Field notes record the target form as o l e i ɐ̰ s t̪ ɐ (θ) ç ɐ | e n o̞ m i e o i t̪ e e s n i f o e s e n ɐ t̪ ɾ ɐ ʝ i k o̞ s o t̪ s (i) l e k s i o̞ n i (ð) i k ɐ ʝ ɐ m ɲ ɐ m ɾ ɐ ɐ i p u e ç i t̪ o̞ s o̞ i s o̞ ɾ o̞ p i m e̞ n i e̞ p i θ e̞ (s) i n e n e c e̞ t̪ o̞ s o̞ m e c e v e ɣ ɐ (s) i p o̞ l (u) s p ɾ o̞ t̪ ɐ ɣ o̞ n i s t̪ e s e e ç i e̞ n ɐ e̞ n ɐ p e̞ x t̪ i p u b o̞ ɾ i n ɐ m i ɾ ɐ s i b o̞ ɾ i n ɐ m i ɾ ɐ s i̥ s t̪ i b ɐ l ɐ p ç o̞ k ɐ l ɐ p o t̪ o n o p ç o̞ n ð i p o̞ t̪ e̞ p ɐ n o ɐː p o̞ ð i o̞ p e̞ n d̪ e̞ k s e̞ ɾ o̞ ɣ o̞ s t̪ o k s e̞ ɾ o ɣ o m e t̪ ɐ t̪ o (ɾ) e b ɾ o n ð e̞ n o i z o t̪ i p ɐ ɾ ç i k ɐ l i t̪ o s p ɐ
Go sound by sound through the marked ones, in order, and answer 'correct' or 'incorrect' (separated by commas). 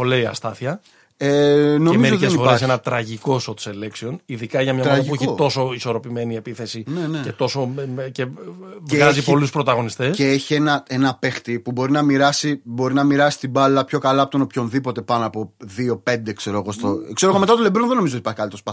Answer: correct, incorrect, correct, correct, incorrect, correct, incorrect